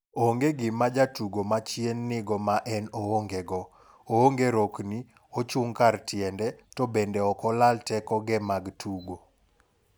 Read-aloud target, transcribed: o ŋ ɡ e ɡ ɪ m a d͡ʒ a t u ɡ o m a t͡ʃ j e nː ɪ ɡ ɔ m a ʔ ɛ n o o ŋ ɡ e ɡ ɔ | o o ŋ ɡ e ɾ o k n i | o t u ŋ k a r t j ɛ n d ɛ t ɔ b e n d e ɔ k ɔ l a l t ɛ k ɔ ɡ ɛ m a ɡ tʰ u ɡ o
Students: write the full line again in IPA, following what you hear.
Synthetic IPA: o ŋ ɡ e ɡ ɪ m a d͡ʒ a t u ɡ o m a t͡ʃ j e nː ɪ ɡ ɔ m a ʔ ɛ n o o ŋ ɡ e ɡ ɔ | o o ŋ ɡ e ɾ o k n i | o t͡ʃ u ŋ k a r t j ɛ n d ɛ t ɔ b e n d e ɔ k ɔ l a l t ɛ k ɔ ɡ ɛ m a ɡ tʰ u ɡ o